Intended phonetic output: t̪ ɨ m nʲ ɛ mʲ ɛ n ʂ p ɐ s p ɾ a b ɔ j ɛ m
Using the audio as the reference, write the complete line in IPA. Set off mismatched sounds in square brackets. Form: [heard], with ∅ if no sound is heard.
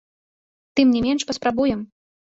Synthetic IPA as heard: t̪ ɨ m nʲ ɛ mʲ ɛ n ʂ p ɐ s p ɾ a b [u] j ɛ m